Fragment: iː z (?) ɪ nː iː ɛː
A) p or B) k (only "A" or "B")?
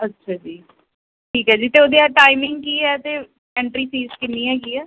B